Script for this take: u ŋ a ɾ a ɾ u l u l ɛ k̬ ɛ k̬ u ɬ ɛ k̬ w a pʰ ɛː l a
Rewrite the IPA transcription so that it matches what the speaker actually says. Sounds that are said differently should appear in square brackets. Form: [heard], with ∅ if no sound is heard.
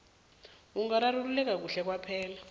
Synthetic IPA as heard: u ŋ a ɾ a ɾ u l u l ɛ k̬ [a] k̬ u ɬ ɛ k̬ w a pʰ ɛː l a